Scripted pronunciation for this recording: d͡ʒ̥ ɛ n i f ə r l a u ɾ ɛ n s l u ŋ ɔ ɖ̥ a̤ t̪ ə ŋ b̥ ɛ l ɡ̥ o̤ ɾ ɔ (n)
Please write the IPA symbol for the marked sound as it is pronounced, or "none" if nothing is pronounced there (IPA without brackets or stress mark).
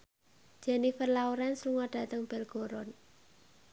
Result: n